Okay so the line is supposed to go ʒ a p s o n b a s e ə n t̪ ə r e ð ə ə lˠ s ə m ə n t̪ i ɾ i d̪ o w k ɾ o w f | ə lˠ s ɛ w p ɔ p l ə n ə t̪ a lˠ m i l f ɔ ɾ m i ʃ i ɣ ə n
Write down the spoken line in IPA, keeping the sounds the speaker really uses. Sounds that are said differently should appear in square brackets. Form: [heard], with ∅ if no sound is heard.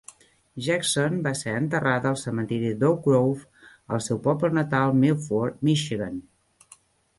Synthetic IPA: ʒ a [k] s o n b a s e ə n t̪ ə r [a] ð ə ə lˠ s ə m ə n t̪ i ɾ i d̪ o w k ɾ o w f | ə lˠ s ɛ w p ɔ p l ə n ə t̪ a lˠ m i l f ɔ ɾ m i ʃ i ɣ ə n

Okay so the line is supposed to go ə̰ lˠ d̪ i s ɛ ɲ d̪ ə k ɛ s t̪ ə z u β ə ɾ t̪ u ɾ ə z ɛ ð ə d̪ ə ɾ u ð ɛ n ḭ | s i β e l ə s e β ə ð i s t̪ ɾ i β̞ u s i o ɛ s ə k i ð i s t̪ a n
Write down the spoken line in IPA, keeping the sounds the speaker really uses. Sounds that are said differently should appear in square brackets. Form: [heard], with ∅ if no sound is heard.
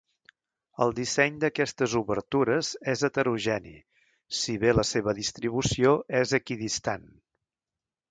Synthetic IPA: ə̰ lˠ d̪ i s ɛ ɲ d̪ ə k ɛ s t̪ ə z u β ə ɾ t̪ u ɾ ə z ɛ [z] ə [t̪] ə ɾ u [ʒ] ɛ n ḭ | s i β e l ə s e β ə ð i s t̪ ɾ i β̞ u s i o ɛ [z] ə k i ð i s t̪ a n

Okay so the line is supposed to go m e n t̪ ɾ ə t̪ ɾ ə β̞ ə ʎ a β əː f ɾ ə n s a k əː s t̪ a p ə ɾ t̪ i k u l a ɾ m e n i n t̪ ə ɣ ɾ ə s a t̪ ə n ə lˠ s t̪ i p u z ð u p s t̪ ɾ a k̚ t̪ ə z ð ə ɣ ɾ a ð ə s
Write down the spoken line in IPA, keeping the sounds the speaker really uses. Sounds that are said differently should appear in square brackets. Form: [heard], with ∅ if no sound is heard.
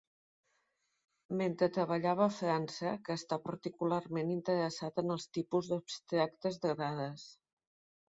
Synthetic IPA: m e n t̪ ɾ ə t̪ ɾ ə β̞ ə ʎ a β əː f ɾ [a] n s [ə] k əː s t̪ a p ə ɾ t̪ i k u l a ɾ m e n i n t̪ ə [∅] ɾ ə s a t̪ ə n ə lˠ s t̪ i p u z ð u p s t̪ ɾ a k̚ t̪ ə z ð ə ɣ ɾ a ð ə s

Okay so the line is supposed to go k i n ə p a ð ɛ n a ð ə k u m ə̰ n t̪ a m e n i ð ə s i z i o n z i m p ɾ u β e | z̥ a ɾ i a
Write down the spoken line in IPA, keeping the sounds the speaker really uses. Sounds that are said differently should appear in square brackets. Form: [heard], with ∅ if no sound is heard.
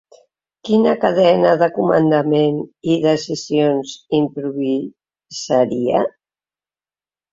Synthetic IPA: k i n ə [k] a ð ɛ n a ð ə k u m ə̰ n [d̪] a m e n i ð ə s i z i o n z i m p ɾ u β [i] | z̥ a ɾ i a

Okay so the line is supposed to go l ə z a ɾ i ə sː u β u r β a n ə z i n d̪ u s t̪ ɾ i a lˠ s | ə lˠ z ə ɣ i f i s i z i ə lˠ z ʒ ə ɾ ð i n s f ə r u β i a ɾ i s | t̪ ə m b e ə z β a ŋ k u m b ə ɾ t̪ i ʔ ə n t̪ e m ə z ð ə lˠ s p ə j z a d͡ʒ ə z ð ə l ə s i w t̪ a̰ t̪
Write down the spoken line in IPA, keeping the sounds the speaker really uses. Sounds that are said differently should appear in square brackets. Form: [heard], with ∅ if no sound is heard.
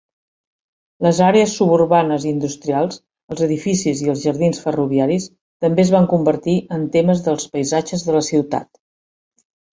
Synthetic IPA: l ə z a ɾ [e] ə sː u β u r β a n ə z i n d̪ u s t̪ ɾ i a lˠ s | ə lˠ z ə [ð] i f i s i z i ə lˠ z ʒ ə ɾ ð i n s f ə r u β i a ɾ i s | t̪ ə m b e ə z β a ŋ k u m b ə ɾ t̪ i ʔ ə n t̪ e m ə z ð ə lˠ s p ə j z a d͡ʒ ə z ð ə l ə s i w t̪ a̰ t̪

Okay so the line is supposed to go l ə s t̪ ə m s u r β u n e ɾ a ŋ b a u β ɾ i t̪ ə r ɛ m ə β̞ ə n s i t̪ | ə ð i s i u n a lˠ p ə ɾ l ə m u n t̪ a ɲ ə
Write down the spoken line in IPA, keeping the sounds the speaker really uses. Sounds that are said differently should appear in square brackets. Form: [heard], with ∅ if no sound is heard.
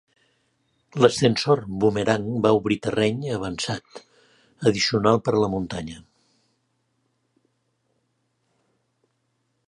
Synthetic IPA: l ə s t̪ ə [n] s [o] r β u [m] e ɾ a ŋ b a u β ɾ i t̪ ə r ɛ [ɲ] ə β̞ ə n s [a] t̪ | ə ð i s i u n a lˠ p ə ɾ l ə m u n t̪ a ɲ ə

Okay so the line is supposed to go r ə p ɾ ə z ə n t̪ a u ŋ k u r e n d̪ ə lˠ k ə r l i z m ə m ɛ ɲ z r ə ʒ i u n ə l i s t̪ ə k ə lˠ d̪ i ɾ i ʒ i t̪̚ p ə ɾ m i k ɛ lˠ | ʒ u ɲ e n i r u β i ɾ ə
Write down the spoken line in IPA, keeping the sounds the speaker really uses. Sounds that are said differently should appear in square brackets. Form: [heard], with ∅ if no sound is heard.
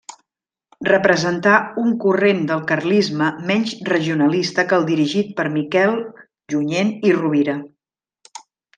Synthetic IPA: r ə p ɾ ə z ə n t̪ a u ŋ k u r e n d̪ ə lˠ k ə r l i z m ə m ɛ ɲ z r ə ʒ i u n ə l i s t̪ ə k ə lˠ d̪ i ɾ i ʒ i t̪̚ p ə ɾ m i k ɛ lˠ | ʒ u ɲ e n i r u β i ɾ ə

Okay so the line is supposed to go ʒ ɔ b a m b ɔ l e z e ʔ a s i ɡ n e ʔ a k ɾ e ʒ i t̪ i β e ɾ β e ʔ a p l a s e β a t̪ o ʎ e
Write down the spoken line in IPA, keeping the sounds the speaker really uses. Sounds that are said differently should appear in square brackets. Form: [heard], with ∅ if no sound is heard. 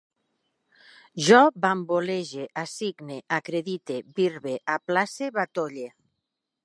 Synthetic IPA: ʒ ɔ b a m b [o] l e [ʒ] e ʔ a s i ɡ n e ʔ a k ɾ e [ð] i t̪ [e] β [i] ɾ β e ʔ a p l a s e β a t̪ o ʎ e

